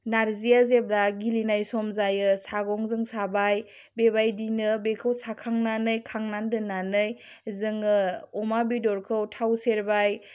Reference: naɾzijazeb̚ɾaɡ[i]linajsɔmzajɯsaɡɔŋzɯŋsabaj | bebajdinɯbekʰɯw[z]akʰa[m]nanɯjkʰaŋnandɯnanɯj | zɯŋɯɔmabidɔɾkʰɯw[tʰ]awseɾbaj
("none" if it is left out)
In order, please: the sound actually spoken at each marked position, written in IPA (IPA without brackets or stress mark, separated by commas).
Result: i, s, ŋ, tʰ